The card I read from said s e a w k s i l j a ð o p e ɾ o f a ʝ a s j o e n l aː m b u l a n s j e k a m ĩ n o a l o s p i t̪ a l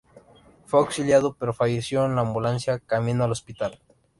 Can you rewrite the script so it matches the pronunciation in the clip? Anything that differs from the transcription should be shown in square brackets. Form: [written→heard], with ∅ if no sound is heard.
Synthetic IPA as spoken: [s→f] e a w k s i l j a ð o p e ɾ o f a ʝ [a→e] s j o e n l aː m b u l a n s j [e→a] k a m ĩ n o a l o s p i t̪ a l